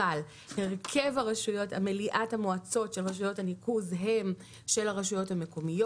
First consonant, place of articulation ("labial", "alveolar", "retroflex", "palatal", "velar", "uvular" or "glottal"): alveolar